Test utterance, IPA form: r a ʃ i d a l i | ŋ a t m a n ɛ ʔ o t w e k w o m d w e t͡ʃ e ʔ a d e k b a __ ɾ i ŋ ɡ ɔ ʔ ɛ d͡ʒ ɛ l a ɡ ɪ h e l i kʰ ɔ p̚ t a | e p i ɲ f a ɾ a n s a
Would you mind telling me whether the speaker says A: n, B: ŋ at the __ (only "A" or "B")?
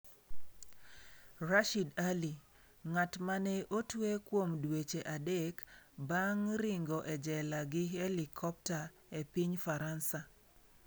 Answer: B